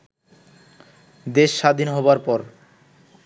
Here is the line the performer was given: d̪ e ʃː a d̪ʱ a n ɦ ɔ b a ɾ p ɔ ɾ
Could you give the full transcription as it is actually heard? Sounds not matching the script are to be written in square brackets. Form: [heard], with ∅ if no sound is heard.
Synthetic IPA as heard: d̪ e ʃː a d̪ʱ [i] n ɦ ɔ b a ɾ p ɔ ɾ